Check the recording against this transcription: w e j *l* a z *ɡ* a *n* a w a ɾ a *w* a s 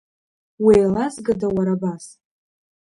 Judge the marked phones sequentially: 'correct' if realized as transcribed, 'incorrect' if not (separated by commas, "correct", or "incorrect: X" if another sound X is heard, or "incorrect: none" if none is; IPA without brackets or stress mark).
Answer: correct, correct, incorrect: d, incorrect: b